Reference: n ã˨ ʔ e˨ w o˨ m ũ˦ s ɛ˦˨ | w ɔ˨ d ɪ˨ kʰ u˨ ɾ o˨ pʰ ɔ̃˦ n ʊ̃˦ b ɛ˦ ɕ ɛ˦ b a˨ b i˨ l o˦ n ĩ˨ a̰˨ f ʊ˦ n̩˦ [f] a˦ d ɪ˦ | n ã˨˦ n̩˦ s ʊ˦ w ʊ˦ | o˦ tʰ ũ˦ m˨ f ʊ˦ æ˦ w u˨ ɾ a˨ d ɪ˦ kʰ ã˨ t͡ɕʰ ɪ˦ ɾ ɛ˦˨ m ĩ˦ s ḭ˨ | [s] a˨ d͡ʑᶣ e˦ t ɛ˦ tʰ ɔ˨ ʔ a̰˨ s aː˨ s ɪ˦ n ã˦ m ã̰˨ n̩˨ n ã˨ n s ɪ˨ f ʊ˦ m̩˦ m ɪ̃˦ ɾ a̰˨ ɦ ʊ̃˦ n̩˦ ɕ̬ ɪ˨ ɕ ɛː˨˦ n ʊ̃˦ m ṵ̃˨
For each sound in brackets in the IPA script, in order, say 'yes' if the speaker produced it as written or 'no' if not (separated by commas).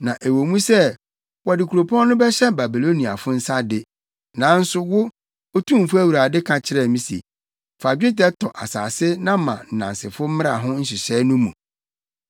no, no